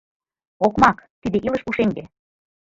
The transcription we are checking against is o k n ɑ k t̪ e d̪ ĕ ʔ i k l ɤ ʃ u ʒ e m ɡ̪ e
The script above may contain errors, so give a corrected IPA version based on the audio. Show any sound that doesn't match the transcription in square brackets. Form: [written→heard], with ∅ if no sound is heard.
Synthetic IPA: o k [n→m] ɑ k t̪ [e→i] d̪ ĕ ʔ i [k→∅] l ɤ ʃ u [ʒ→ʃ] e [m→ŋ] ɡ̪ e